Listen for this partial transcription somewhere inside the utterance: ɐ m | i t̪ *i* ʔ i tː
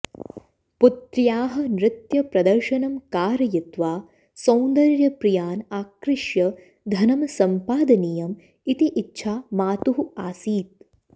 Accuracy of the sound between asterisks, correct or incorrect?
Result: correct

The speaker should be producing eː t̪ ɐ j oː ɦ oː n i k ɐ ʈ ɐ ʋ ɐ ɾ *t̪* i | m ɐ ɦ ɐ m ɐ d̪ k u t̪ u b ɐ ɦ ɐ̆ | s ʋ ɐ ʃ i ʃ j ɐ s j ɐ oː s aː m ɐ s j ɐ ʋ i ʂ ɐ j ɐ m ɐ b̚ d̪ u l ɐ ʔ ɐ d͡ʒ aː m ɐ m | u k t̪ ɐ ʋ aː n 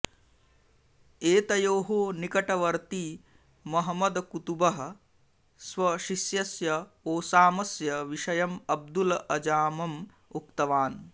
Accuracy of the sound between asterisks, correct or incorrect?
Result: correct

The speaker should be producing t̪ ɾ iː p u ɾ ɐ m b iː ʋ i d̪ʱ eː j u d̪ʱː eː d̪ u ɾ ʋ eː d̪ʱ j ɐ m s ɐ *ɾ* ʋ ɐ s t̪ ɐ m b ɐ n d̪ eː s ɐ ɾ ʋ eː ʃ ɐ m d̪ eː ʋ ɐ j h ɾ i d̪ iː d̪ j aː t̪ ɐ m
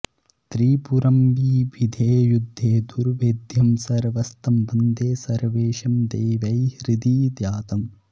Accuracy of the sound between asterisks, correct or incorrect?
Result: correct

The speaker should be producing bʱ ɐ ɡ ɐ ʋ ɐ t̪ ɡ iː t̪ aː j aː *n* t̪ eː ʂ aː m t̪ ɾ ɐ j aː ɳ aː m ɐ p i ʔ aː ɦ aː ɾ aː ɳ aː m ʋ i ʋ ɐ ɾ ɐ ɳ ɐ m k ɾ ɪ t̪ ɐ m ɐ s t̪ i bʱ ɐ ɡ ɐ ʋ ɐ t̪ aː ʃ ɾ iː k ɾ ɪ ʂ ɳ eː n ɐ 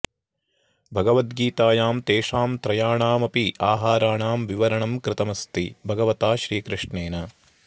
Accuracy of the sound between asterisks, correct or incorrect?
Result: incorrect: m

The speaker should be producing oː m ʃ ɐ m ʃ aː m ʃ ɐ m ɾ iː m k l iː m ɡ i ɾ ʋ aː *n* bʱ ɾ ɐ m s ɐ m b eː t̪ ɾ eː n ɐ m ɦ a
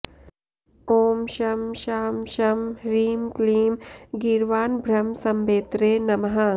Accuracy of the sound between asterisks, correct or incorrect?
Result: correct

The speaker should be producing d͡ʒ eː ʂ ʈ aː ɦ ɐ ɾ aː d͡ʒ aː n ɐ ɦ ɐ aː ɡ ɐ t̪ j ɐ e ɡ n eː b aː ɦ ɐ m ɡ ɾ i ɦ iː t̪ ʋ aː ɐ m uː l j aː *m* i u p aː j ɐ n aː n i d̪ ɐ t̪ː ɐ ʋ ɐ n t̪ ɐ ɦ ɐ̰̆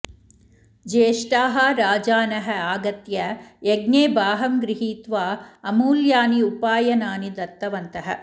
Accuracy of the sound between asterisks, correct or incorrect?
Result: incorrect: n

